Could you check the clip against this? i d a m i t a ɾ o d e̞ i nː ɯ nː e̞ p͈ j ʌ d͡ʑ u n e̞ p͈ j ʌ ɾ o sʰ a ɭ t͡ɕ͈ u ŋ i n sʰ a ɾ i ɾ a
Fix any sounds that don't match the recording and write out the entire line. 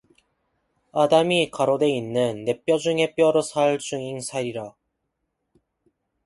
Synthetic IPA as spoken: a d a m i k a ɾ o d e̞ i nː ɯ nː e̞ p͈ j ʌ d͡ʑ u ŋ e̞ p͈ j ʌ ɾ o sʰ a ɭ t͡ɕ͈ u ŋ i ŋ sʰ a ɾ i ɾ a